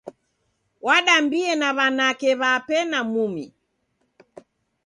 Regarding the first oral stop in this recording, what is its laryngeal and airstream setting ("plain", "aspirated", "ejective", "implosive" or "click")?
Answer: implosive